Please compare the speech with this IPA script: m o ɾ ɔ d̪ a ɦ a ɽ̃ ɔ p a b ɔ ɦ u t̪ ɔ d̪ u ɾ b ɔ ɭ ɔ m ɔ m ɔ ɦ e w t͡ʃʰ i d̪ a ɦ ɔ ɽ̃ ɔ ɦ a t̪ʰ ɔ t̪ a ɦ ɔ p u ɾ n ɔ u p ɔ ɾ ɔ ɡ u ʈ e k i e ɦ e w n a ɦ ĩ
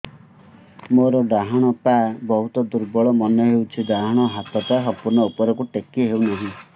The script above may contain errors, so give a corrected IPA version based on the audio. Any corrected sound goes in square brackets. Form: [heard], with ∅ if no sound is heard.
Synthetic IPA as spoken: m o ɾ ɔ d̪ a ɦ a ɽ̃ ɔ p a b ɔ ɦ u t̪ ɔ d̪ u ɾ b ɔ ɭ ɔ m ɔ [n] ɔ ɦ e w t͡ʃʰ i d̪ a ɦ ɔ ɽ̃ ɔ ɦ a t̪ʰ ɔ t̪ a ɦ ɔ p u ɾ n ɔ u p ɔ ɾ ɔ [k] u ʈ e k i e ɦ e w n a ɦ ĩ